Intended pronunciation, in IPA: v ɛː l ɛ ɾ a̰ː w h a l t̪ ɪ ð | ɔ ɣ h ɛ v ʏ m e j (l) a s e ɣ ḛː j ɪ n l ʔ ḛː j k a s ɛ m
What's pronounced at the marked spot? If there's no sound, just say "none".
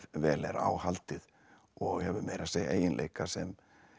ɾ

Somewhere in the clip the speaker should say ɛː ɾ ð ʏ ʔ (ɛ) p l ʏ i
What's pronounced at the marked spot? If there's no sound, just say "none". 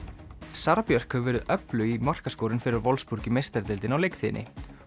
œ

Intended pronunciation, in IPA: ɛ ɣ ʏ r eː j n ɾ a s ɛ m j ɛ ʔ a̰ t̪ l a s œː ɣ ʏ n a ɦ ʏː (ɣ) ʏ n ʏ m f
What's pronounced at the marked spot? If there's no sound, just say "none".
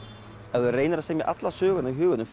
ɣ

